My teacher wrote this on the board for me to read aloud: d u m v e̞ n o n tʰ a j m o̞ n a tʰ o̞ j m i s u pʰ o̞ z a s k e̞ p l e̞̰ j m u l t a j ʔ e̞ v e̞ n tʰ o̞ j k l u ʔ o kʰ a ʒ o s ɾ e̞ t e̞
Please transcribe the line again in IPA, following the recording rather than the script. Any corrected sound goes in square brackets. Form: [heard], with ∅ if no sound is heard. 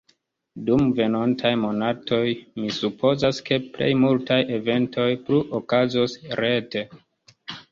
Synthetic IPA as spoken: d u m v e̞ n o n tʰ a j m o̞ n a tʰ o̞ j m i s u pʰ o̞ z a s k e̞ p l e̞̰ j m u l t a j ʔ e̞ v e̞ n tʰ o̞ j [p] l u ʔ o [k] a [z] o s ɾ e̞ t e̞